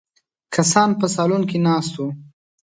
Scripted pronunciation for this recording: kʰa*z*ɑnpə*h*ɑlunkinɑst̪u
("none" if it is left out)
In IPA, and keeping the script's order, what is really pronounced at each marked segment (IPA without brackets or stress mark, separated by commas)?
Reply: s, s